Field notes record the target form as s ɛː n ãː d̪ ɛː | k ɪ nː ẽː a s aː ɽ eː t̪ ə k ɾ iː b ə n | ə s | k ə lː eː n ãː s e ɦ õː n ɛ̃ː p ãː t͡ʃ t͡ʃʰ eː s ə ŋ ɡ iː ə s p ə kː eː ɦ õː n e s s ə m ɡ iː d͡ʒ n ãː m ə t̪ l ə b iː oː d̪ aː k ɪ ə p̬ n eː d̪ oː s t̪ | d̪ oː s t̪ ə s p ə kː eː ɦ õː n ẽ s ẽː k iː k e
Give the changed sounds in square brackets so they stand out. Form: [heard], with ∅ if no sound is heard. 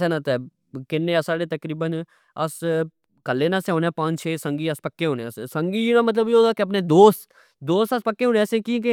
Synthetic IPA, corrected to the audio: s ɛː n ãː [t̪] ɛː | k ɪ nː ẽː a s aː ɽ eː t̪ ə k ɾ iː b ə n | ə s | k ə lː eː n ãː s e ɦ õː n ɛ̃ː p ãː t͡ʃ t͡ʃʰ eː s ə ŋ ɡ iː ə s p ə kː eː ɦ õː n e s s ə [ŋ] ɡ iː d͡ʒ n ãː m ə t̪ l ə b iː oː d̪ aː k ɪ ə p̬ n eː d̪ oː s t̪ | d̪ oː s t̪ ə s p ə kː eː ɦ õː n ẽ s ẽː k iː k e